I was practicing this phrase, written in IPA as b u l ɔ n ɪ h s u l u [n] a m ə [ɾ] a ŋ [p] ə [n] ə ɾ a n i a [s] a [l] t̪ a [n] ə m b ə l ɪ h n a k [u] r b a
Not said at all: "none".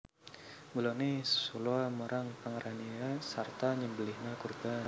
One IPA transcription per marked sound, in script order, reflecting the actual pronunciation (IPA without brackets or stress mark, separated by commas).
none, ɾ, p, ŋ, s, r, ɲ, u